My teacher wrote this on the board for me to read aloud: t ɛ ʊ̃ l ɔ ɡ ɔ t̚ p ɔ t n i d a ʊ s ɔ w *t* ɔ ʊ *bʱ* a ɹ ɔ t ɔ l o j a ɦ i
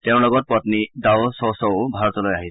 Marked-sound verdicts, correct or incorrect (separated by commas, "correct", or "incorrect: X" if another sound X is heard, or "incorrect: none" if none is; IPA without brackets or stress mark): incorrect: s, correct